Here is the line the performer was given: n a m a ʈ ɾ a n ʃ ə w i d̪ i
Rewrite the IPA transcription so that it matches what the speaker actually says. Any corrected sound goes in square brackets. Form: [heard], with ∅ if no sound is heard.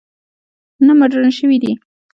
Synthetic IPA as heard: n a m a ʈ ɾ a n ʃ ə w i d̪ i